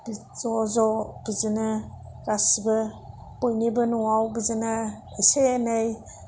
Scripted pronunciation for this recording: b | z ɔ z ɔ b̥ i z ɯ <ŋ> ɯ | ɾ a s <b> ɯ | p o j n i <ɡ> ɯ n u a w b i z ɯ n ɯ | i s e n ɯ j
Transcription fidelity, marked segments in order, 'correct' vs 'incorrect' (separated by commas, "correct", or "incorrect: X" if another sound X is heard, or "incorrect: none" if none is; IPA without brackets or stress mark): incorrect: n, correct, incorrect: b